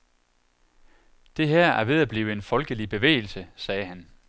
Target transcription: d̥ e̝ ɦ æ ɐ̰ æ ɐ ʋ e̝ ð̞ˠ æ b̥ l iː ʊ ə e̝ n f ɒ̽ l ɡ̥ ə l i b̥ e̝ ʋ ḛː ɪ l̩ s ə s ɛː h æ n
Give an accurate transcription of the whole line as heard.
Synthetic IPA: d̥ e̝ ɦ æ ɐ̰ æ ɐ ʋ e̝ ð̞ˠ æ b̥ l iː ʊ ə e̝ n f ɒ̽ l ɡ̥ ə l i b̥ e̝ ʋ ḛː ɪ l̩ s ə s ɛː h æ n